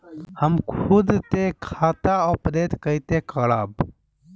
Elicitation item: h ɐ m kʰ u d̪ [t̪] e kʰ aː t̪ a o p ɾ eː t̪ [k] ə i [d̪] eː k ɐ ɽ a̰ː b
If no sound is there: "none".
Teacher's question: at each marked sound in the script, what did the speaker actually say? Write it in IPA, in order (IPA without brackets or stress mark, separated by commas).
t̪, k, t̪